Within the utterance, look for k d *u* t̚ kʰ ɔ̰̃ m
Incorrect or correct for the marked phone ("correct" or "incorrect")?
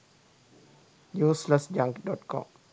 incorrect